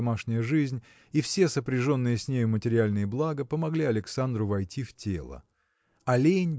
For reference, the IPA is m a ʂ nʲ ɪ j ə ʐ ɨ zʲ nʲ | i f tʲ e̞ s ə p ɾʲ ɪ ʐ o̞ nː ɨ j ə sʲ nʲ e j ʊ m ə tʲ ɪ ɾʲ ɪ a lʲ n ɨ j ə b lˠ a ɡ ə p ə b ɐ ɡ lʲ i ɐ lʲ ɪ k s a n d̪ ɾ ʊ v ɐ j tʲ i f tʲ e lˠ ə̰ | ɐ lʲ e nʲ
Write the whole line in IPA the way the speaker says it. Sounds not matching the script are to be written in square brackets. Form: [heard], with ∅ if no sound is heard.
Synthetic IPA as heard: m a ʂ nʲ ɪ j ə ʐ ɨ zʲ nʲ | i f [sʲ] e̞ s ə p ɾʲ ɪ ʐ o̞ nː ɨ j ə sʲ nʲ e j ʊ m ə tʲ ɪ ɾʲ ɪ a lʲ n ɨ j ə b lˠ a ɡ ə p ə [m] ɐ ɡ lʲ i ɐ lʲ ɪ k s a n d̪ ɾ ʊ v ɐ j tʲ i f tʲ e lˠ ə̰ | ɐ lʲ e nʲ